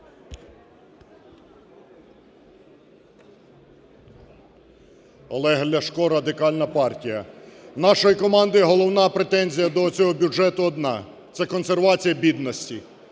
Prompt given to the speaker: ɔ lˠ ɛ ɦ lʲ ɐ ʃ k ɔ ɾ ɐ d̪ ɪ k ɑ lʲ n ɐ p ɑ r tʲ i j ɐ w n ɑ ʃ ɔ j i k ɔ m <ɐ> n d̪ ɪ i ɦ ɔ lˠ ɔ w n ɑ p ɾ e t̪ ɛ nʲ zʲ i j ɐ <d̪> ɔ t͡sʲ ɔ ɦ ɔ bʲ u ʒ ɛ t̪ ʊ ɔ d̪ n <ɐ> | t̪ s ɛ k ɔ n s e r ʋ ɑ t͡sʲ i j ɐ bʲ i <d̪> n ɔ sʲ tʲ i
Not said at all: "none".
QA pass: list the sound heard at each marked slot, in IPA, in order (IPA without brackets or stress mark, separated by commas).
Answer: ɑ, d̪, ɑ, d̪